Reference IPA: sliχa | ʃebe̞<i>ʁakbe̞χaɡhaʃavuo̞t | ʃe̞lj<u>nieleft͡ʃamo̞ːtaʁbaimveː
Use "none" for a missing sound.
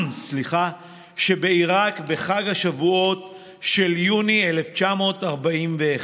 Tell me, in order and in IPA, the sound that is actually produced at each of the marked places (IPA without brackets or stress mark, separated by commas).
i, u